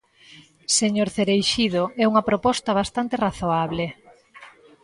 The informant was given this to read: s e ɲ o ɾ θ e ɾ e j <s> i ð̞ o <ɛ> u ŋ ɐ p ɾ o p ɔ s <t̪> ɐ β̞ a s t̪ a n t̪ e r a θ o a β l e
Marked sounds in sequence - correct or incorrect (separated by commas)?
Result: incorrect, correct, correct